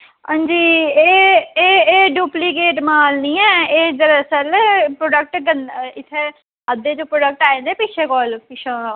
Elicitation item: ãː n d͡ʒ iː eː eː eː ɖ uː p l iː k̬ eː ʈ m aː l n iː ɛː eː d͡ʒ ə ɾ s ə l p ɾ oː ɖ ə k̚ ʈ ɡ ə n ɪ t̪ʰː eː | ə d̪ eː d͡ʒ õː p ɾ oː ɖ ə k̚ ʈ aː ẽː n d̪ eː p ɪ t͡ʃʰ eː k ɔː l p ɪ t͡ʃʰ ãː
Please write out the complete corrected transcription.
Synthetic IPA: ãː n d͡ʒ iː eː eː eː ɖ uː p l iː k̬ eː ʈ m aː l n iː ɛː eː d͡ʒ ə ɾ s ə l p ɾ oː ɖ ə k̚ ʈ ɡ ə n ɪ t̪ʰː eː | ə d̪ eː d͡ʒ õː p ɾ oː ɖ ə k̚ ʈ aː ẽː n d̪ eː p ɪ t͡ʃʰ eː k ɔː l p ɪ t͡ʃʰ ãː